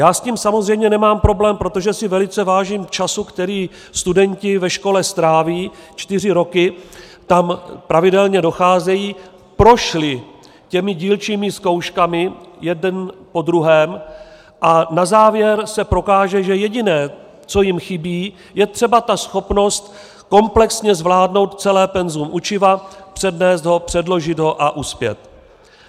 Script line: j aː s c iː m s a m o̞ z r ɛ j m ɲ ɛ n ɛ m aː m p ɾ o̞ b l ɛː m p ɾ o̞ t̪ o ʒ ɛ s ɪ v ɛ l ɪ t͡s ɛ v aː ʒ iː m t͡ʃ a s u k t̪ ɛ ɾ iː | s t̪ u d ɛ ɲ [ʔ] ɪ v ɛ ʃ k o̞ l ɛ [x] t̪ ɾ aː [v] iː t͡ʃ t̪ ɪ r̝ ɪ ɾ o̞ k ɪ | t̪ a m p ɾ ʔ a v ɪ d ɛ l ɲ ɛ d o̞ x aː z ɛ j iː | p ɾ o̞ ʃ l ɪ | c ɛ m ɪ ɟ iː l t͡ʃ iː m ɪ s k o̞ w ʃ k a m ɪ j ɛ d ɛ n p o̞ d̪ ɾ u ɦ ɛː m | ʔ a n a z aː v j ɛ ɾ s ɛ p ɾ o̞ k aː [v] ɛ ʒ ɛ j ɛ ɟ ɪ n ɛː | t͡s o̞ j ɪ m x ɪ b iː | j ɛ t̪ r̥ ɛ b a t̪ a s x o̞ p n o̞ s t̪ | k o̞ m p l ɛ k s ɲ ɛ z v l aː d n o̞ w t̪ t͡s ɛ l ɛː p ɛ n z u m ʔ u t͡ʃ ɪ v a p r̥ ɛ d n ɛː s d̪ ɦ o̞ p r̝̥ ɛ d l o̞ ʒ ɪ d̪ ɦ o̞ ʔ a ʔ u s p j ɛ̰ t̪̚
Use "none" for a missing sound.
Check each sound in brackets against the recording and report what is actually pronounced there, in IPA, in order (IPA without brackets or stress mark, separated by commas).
c, s, v, ʒ